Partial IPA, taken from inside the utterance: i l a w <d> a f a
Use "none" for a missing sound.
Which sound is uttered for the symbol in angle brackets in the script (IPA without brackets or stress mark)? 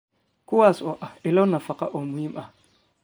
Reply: n